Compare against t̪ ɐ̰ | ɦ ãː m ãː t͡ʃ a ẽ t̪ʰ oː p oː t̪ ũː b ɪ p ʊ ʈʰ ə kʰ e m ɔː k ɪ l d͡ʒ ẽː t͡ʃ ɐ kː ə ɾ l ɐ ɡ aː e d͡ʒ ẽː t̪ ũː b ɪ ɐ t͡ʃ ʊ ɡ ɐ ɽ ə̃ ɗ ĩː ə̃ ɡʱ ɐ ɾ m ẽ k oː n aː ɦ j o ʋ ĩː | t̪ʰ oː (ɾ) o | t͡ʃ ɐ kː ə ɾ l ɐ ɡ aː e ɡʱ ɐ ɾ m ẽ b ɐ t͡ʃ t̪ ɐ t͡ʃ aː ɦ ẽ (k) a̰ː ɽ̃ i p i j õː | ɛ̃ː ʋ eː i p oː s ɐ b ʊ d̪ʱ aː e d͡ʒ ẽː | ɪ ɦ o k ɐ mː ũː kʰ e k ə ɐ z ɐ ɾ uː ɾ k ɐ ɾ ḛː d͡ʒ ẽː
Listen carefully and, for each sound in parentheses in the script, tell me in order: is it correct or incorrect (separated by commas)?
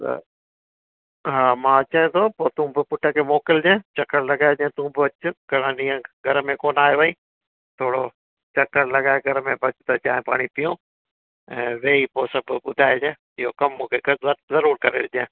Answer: incorrect, incorrect